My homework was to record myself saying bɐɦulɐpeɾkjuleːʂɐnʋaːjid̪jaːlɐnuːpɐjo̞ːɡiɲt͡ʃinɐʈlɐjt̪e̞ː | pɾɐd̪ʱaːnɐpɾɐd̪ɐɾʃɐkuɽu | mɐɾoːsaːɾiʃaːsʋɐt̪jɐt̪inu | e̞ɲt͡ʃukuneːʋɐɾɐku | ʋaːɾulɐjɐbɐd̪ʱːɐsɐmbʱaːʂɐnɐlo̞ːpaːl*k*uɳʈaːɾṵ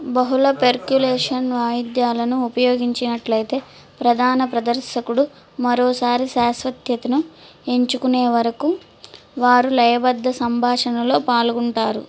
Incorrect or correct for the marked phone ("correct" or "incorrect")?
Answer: incorrect